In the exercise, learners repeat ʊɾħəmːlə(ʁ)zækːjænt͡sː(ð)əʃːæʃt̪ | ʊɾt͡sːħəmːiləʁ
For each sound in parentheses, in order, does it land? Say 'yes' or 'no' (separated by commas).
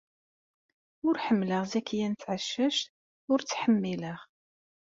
yes, no